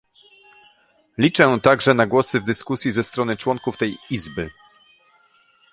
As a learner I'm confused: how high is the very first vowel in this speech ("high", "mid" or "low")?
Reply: high